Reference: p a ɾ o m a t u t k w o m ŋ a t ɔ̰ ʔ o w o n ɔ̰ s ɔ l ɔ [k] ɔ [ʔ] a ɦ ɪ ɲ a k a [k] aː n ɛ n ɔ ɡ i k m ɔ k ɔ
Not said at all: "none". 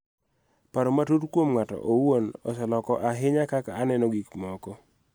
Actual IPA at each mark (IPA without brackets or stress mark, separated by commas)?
k, ʔ, k